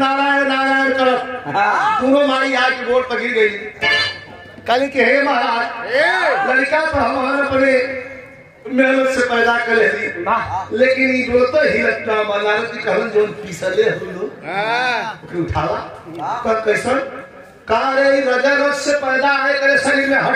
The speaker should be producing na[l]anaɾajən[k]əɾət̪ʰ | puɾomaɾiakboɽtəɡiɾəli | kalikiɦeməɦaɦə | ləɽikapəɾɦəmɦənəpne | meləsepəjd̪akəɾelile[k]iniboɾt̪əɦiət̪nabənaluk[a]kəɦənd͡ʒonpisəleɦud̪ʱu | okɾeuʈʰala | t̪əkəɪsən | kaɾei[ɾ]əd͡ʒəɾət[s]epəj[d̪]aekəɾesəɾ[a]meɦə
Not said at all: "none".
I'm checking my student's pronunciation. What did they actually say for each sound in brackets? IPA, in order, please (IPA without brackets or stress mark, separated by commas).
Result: ɾ, k, k, i, ɾ, s, d̪, i